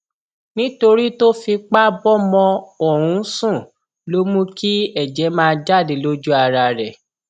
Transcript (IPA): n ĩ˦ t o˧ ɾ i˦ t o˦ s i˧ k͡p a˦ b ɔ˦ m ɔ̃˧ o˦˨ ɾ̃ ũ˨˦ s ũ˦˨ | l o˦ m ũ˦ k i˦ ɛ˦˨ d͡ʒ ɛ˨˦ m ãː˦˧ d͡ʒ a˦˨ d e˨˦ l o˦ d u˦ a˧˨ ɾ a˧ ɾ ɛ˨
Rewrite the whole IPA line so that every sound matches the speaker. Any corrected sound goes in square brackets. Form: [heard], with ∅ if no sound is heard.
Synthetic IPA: n ĩ˦ t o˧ ɾ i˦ t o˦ [f] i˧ k͡p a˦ b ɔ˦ m ɔ̃˧ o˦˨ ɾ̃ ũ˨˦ s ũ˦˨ | l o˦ m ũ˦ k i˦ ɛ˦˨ d͡ʒ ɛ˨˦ m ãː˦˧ d͡ʒ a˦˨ d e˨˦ l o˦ [d͡ʒ] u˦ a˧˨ ɾ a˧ ɾ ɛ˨